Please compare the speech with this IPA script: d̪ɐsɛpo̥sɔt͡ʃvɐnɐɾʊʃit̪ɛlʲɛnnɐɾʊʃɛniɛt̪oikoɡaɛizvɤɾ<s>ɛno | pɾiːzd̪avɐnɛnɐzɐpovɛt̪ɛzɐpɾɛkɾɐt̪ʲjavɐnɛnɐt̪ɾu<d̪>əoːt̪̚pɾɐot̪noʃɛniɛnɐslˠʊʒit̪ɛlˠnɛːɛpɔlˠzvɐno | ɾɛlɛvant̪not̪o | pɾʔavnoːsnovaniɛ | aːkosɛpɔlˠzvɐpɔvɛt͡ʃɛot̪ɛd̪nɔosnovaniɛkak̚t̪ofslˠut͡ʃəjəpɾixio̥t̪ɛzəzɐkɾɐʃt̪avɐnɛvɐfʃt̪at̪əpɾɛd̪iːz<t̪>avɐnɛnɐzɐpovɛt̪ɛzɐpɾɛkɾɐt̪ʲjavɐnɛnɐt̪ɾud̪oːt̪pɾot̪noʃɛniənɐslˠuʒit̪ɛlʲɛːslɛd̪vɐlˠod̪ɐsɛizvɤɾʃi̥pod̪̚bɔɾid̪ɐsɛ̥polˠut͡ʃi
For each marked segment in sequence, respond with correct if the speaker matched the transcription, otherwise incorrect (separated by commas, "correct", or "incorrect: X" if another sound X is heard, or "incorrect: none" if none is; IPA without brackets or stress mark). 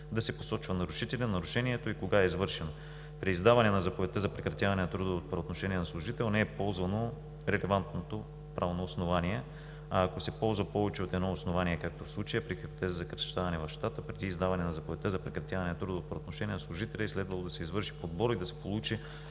incorrect: ʃ, correct, incorrect: d̪